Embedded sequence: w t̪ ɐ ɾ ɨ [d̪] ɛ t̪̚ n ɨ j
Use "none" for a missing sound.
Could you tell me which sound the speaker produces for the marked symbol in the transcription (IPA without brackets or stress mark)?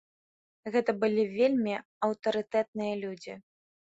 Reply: t̪